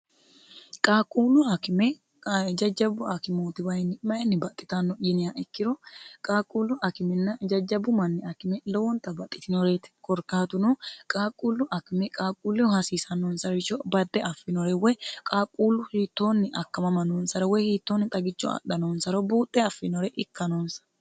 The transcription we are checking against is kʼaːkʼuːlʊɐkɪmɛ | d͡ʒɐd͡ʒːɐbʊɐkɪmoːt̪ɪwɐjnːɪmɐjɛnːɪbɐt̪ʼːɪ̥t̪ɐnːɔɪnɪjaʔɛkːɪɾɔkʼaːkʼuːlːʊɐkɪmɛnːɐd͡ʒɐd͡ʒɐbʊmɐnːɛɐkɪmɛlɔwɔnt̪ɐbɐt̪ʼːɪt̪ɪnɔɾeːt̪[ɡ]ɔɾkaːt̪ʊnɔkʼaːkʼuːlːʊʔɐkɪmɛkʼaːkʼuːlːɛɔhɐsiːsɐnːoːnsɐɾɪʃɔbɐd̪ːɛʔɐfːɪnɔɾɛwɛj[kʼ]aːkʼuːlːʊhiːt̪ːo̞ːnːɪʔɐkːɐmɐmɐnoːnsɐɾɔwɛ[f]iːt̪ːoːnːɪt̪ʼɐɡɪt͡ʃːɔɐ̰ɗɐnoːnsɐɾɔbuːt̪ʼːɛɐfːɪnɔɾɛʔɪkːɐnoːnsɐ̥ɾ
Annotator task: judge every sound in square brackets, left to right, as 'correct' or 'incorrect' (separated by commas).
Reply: incorrect, correct, incorrect